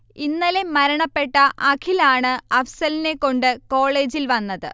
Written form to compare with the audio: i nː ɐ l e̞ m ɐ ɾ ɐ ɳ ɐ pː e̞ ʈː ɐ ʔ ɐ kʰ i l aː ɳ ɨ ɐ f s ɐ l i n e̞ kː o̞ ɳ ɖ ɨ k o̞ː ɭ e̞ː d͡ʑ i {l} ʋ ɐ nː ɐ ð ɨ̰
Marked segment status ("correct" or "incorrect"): correct